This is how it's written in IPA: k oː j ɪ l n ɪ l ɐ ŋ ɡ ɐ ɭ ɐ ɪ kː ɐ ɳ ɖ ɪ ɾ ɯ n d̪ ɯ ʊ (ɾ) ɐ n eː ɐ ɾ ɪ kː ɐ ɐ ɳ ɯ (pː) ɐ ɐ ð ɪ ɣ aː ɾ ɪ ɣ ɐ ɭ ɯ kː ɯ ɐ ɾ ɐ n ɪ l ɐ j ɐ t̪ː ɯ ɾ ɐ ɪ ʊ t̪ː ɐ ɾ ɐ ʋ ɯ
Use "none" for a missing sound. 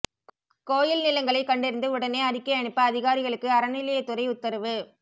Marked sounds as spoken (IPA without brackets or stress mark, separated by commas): ɽ, pː